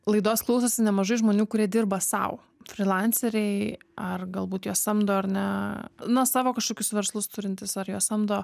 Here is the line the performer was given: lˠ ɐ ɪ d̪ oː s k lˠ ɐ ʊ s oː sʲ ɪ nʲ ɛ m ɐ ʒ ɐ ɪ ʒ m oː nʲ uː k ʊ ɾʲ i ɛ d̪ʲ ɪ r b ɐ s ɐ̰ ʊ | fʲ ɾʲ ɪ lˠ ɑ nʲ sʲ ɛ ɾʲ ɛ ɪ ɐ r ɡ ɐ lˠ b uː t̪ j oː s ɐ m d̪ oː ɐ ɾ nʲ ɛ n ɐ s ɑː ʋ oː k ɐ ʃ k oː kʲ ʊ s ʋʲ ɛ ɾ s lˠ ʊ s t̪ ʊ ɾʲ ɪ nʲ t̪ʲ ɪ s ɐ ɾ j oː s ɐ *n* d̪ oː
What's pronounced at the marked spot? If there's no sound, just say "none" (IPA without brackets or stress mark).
m